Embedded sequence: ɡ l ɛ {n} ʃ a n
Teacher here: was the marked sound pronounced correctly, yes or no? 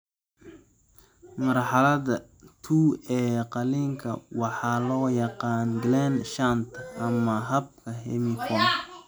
yes